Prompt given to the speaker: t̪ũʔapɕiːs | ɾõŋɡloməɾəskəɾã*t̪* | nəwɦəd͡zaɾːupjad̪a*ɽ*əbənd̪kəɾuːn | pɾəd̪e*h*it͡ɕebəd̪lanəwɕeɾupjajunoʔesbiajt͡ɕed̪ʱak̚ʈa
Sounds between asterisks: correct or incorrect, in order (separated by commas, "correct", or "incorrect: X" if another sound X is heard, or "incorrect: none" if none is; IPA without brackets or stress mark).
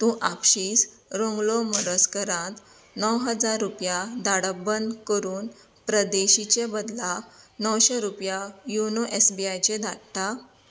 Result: correct, correct, incorrect: ɕ